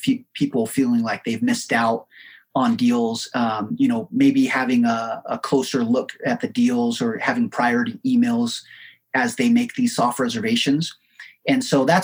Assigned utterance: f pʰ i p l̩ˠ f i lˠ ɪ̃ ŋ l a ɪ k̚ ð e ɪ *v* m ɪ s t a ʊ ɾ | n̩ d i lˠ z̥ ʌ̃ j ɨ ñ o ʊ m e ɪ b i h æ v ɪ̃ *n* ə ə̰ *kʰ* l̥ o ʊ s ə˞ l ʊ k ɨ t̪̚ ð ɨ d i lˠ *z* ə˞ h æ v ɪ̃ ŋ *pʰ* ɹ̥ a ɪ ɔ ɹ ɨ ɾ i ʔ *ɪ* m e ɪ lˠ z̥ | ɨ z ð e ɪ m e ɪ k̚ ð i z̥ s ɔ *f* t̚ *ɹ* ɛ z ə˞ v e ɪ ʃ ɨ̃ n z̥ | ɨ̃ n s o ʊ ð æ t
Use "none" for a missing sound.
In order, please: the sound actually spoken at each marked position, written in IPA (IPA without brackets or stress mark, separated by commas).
v, ŋ, kʰ, z, pʰ, i, f, ɹ